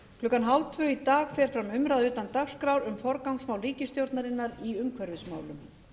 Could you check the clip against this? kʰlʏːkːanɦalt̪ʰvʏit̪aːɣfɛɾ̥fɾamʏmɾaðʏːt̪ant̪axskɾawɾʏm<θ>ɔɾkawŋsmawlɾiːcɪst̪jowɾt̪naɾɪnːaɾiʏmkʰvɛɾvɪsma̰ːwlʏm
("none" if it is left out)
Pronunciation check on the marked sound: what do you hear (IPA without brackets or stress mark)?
f